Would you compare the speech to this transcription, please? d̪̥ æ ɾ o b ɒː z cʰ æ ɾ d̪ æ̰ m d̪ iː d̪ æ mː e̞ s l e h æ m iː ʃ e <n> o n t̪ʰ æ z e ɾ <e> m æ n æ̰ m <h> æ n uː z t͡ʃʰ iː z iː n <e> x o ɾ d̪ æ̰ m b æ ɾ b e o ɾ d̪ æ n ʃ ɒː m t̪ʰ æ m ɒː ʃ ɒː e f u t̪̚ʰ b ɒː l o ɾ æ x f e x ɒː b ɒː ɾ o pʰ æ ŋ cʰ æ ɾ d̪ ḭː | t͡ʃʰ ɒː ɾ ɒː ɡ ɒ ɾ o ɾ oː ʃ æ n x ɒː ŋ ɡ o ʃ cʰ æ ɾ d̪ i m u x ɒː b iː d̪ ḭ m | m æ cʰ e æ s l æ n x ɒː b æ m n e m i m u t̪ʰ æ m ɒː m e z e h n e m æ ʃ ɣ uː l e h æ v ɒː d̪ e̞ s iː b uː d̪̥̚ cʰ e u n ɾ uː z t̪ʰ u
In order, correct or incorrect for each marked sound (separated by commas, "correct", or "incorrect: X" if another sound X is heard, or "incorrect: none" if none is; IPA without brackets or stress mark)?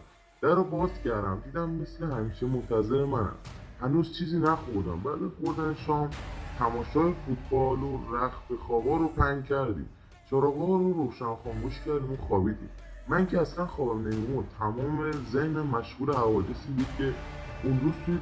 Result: incorrect: m, correct, correct, incorrect: æ